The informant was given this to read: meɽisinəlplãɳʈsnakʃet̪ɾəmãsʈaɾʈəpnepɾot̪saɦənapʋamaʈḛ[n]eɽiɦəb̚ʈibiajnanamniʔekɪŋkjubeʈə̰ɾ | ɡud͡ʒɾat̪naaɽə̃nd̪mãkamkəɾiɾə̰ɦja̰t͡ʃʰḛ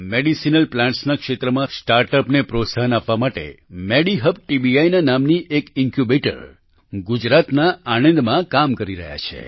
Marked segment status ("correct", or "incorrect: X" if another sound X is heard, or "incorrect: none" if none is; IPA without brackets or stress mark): incorrect: m